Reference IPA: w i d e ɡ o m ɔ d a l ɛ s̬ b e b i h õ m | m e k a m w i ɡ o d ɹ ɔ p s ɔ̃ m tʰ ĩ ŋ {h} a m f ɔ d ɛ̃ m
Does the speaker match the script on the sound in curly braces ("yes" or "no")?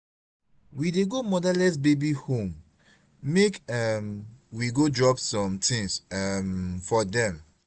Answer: no